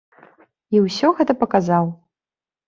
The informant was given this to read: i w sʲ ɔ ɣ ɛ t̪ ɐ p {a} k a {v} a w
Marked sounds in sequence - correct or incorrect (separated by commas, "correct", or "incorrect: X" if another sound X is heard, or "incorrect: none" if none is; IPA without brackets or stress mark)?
incorrect: ɐ, incorrect: z